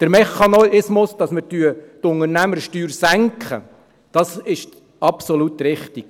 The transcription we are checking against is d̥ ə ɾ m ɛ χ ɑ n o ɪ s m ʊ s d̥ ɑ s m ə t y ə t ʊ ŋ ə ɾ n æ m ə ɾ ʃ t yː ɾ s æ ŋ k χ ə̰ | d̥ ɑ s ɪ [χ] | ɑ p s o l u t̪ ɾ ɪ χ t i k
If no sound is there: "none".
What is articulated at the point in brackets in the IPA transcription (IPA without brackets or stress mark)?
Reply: ʃ